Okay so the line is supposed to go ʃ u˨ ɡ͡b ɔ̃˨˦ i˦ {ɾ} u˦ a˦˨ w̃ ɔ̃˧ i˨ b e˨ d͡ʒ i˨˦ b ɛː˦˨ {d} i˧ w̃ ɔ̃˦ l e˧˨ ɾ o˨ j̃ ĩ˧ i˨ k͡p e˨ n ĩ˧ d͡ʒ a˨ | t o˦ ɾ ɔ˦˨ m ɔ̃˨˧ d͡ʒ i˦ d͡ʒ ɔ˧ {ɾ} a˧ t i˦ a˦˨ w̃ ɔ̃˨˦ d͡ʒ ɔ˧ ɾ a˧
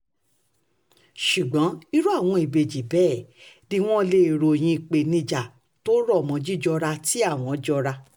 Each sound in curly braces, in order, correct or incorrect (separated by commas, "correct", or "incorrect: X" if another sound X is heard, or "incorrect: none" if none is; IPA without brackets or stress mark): correct, correct, correct